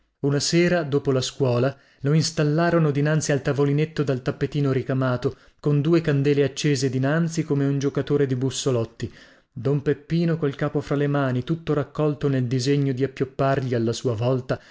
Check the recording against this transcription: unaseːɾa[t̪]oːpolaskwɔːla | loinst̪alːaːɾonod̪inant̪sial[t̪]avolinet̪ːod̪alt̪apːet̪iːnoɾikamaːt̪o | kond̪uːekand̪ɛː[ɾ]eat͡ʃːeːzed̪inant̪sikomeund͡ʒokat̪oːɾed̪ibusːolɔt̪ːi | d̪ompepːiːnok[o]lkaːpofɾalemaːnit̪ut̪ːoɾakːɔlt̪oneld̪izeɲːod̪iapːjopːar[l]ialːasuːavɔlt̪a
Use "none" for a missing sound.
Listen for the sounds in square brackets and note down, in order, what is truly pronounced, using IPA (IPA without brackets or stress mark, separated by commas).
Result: d̪, t̪, l, o, ʎ